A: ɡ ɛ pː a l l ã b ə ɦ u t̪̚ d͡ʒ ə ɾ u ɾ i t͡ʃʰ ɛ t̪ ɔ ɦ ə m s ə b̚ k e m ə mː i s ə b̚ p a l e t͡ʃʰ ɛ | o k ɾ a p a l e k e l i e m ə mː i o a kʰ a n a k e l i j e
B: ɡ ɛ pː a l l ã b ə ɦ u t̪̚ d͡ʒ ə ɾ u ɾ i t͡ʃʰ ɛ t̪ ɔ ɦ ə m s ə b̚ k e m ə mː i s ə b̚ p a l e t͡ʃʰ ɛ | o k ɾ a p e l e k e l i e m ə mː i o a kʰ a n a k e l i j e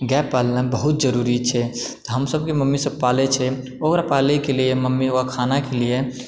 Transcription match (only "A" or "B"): A